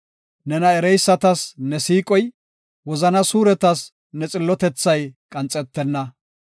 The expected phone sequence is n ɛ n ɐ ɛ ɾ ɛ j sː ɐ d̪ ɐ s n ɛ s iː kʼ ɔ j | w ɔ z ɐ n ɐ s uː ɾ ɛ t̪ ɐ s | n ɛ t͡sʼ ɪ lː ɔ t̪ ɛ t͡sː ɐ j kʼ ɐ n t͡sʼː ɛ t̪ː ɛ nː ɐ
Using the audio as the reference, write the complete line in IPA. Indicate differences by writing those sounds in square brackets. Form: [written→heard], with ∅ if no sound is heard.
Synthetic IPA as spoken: n ɛ n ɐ ɛ ɾ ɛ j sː ɐ [d̪→t̪] ɐ s n ɛ s iː kʼ ɔ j | w ɔ z ɐ n ɐ s uː ɾ ɛ t̪ ɐ s | n ɛ t͡sʼ ɪ lː ɔ t̪ ɛ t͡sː ɐ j kʼ ɐ n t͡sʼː ɛ t̪ː ɛ nː ɐ